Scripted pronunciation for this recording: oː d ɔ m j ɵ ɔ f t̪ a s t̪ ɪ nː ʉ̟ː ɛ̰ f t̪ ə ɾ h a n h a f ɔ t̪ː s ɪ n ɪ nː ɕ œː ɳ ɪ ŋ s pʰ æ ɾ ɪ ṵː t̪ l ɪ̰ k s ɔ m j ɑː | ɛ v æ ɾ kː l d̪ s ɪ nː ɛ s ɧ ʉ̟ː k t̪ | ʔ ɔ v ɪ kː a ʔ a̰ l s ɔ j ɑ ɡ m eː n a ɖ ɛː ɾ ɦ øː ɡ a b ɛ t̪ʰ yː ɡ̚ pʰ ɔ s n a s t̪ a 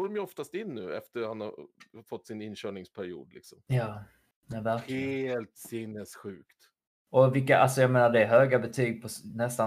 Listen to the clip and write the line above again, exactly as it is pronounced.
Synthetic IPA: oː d ɔ m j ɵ ɔ f t̪ a s t̪ ɪ nː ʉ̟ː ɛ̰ f t̪ ə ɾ h a n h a f ɔ t̪ː s ɪ n ɪ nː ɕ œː ɳ ɪ ŋ s pʰ æ ɾ ɪ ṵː d̪ l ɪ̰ k s ɔ m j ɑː | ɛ v æ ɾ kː l t̪ s ɪ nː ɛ s ɧ ʉ̟ː k t̪ | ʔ ɔ v ɪ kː a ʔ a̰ l s ɔ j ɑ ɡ m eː n a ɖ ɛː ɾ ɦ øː ɡ a b ɛ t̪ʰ yː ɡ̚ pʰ ɔ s n ɛ s t̪ a